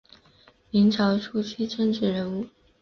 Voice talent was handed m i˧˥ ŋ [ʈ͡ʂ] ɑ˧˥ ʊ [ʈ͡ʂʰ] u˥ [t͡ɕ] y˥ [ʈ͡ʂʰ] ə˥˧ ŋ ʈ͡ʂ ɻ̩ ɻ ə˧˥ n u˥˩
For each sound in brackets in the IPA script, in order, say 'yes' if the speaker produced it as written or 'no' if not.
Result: no, yes, no, no

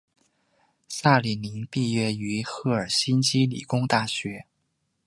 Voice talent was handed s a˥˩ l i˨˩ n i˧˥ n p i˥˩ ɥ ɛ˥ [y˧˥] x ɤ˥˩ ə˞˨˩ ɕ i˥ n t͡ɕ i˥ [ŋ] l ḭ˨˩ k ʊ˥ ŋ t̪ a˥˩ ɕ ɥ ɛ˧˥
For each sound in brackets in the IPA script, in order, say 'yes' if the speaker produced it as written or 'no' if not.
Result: yes, no

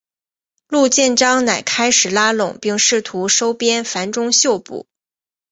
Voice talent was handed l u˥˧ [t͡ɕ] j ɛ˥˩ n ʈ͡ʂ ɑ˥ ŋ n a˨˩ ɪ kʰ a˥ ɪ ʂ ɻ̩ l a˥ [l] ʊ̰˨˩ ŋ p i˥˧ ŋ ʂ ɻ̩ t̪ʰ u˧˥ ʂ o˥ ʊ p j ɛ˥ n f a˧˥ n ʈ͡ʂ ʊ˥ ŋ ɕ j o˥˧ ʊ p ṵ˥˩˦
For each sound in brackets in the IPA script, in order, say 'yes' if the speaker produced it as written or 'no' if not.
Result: yes, yes

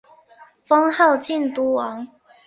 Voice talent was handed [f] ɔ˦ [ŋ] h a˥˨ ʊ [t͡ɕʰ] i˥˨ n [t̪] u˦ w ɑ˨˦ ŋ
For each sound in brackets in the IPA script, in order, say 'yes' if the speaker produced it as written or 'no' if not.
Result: yes, yes, no, yes

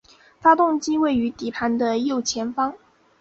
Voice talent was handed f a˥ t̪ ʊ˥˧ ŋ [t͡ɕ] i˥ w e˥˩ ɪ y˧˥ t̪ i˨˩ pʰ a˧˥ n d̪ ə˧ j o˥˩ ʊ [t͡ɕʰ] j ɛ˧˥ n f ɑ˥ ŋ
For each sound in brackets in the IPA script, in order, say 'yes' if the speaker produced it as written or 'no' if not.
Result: yes, yes

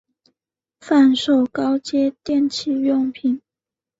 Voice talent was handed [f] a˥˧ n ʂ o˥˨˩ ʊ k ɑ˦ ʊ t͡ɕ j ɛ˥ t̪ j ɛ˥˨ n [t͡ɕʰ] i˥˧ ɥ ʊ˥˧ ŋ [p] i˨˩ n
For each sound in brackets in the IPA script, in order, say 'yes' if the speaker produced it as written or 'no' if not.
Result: yes, yes, no

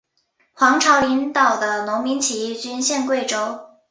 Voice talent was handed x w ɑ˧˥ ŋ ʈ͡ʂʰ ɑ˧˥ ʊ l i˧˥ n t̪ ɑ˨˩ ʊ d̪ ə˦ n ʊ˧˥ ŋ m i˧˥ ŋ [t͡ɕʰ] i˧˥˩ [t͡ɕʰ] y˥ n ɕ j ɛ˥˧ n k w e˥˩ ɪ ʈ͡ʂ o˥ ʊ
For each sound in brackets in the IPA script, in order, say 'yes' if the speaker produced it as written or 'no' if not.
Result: yes, no

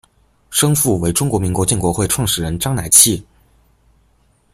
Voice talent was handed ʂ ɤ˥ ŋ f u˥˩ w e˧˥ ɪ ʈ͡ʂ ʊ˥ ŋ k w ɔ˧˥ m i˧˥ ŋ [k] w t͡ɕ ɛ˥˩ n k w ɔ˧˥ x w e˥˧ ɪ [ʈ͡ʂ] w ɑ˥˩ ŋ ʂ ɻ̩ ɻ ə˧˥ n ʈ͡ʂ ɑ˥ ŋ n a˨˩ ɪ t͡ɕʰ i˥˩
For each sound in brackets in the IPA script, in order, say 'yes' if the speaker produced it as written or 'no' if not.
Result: yes, no

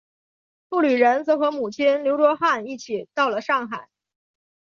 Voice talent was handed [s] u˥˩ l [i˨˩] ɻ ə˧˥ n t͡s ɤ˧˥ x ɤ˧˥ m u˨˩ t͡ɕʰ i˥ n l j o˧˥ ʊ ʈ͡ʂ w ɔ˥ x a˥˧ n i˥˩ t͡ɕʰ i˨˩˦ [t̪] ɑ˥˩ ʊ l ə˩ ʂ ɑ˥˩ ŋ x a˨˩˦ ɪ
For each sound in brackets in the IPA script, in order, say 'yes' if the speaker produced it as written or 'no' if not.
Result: no, no, yes

